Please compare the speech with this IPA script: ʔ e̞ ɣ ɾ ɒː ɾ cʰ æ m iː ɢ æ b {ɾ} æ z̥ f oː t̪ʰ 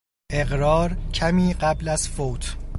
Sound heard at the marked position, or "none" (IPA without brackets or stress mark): l